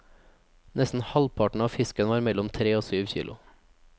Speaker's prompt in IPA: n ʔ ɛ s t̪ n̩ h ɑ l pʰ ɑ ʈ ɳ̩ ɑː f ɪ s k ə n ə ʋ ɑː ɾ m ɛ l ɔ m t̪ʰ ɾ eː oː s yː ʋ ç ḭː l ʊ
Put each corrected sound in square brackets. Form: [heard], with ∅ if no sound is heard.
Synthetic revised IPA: n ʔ ɛ s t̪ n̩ h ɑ l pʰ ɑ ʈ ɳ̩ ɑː f ɪ s k ə n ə ʋ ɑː ɾ m ɛ l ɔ m t̪ʰ ɾ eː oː s yː ʋ ç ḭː l ʊ